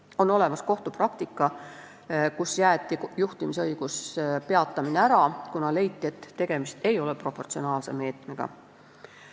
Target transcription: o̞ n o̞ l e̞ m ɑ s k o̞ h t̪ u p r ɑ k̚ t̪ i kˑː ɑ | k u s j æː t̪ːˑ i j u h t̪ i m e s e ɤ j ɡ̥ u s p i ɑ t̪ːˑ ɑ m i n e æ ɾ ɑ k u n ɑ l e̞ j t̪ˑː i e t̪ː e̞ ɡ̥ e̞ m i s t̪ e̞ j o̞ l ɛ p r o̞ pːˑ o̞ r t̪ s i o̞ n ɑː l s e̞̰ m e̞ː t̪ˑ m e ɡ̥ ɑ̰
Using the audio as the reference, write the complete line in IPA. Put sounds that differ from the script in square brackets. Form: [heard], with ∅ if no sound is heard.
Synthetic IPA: o̞ n o̞ l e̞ m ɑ s k o̞ h t̪ u p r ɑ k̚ t̪ i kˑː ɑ | k u s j æː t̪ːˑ i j u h t̪ i m [i] s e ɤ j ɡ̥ u s p [e] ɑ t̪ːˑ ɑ m i n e æ ɾ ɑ k u n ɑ l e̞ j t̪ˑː i e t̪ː e̞ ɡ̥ e̞ m i s t̪ e̞ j o̞ l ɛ p r o̞ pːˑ o̞ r t̪ s i o̞ n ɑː l s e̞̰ m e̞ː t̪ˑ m e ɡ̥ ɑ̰